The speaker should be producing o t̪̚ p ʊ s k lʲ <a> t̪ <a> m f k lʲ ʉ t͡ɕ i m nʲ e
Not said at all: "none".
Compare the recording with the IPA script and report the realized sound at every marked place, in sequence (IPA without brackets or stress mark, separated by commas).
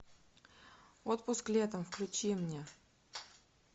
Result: e, ə